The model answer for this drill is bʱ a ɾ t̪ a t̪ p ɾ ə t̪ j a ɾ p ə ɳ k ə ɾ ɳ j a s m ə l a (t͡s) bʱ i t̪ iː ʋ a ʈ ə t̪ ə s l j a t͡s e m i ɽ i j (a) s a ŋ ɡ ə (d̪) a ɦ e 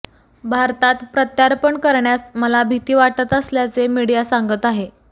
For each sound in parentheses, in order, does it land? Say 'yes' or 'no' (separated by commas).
no, yes, no